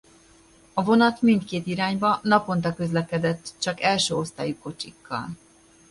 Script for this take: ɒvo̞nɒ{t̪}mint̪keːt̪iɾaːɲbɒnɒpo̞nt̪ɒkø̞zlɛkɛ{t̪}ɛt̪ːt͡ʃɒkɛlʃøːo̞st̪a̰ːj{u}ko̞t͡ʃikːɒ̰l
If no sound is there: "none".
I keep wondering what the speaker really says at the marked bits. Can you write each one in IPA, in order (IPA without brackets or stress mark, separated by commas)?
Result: t̪, d̪, u